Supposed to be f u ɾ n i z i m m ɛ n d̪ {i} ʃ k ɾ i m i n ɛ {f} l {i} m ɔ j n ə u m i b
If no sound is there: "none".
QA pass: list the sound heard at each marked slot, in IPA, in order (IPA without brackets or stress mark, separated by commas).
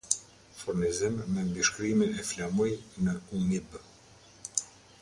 i, f, a